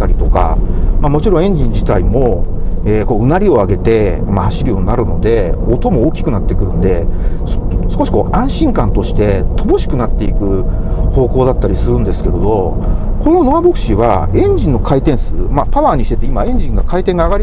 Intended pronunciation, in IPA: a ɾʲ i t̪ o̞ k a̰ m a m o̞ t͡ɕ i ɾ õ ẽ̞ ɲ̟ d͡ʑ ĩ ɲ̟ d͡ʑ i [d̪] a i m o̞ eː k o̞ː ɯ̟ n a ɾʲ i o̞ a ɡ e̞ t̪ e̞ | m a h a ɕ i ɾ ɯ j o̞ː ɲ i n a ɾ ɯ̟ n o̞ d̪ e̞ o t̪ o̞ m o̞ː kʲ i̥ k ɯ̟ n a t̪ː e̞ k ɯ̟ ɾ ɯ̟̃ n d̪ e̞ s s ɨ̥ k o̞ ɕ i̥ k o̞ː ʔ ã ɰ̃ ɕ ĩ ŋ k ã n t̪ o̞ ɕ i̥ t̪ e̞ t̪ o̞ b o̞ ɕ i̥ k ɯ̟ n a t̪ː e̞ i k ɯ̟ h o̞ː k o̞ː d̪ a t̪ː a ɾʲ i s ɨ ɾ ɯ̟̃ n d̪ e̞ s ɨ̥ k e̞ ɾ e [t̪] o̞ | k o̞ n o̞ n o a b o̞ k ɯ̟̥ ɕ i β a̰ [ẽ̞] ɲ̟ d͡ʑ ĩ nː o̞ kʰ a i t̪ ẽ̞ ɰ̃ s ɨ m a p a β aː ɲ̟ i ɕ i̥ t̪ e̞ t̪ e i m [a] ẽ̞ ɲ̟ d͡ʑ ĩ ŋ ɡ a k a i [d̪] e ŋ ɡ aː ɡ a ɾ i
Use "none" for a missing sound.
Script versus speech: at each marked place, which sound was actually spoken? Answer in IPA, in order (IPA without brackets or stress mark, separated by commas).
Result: t̪, d̪, ẽ̞, a, t̪